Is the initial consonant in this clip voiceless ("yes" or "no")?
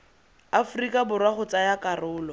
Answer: yes